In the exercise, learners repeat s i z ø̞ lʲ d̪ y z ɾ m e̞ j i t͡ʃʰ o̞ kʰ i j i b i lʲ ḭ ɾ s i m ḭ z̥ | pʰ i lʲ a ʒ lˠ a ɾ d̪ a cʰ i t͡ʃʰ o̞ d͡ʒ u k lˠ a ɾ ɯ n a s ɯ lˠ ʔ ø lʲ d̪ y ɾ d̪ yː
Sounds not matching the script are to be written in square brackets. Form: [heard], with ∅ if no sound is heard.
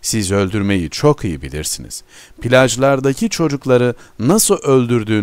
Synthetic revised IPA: s i z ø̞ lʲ d̪ y [∅] ɾ m e̞ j i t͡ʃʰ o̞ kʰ i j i b i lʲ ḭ ɾ s i [n] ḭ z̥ | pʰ i lʲ a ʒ lˠ a ɾ d̪ a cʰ i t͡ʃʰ o̞ d͡ʒ u k lˠ a ɾ ɯ n a s ɯ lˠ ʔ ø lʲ d̪ y ɾ d̪ yː